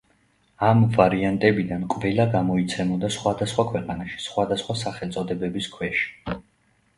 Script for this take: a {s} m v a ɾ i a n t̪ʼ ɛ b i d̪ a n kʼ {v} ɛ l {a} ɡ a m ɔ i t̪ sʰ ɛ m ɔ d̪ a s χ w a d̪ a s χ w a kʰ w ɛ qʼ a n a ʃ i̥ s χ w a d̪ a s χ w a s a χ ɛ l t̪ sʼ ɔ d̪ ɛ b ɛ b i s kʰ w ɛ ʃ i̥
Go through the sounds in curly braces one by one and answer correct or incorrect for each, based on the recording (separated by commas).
incorrect, correct, correct